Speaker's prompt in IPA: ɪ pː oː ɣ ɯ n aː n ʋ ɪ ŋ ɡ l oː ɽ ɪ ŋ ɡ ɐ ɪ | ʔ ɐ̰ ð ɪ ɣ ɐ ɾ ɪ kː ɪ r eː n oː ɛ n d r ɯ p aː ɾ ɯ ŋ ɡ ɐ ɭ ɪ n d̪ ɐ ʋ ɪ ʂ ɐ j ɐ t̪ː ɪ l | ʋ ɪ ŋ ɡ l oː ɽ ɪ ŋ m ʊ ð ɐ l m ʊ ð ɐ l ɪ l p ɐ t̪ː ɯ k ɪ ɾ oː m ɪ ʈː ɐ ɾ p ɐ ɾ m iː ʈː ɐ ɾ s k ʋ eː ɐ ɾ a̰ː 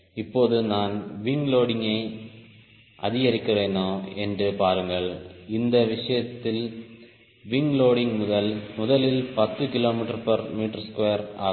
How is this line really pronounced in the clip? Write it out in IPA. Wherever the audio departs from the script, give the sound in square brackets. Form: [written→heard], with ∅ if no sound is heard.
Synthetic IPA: ɪ pː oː [ɣ→ð] ɯ n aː n ʋ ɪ ŋ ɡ l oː ɽ ɪ ŋ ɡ ɐ ɪ | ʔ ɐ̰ ð ɪ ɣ ɐ ɾ ɪ kː ɪ r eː n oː ɛ n d r ɯ p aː ɾ ɯ ŋ ɡ ɐ ɭ ɪ n d̪ ɐ ʋ ɪ ʂ ɐ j ɐ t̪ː ɪ l | ʋ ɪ ŋ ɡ l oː ɽ ɪ ŋ m ʊ ð ɐ l m ʊ ð ɐ l ɪ l p ɐ t̪ː ɯ k ɪ [ɾ→l] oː m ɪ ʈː ɐ ɾ p ɐ ɾ m iː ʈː ɐ ɾ s k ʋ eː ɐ ɾ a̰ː